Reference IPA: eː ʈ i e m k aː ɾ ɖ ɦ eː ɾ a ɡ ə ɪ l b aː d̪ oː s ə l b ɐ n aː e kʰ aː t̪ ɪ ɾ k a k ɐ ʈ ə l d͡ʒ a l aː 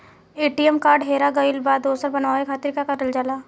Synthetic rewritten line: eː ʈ i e m k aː ɾ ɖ ɦ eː ɾ a ɡ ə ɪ l b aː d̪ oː s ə ɾ b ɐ n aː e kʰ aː t̪ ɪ ɾ k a k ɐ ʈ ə l d͡ʒ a l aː